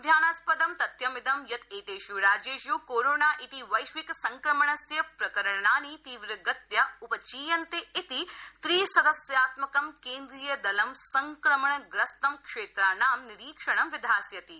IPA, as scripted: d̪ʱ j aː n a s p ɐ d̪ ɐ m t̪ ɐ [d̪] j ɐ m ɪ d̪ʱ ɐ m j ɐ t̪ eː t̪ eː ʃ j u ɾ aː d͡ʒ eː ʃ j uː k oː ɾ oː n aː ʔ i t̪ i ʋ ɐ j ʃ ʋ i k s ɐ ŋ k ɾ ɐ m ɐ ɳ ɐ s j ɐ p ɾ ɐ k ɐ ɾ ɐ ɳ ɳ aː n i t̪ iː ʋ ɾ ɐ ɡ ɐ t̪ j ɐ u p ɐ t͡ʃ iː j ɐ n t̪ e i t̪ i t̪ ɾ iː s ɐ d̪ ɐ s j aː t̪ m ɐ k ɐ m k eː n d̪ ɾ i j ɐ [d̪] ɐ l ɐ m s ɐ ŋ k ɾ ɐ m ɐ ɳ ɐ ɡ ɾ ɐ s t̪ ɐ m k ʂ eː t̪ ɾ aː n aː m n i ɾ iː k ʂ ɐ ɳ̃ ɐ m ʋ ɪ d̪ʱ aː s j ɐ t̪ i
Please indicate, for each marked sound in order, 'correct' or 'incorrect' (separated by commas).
incorrect, correct